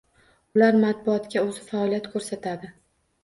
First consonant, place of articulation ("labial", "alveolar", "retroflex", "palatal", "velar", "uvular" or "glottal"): alveolar